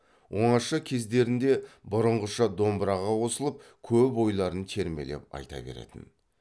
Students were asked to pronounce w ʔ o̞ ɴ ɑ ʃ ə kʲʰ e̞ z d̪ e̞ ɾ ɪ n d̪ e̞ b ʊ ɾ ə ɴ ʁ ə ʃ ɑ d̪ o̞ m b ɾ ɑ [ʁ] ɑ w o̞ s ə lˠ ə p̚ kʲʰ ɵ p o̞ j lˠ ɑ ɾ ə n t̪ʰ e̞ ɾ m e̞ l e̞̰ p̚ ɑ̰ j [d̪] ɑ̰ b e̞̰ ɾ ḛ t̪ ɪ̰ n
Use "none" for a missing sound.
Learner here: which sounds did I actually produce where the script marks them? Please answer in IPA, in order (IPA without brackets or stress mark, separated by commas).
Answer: ʁ, t̪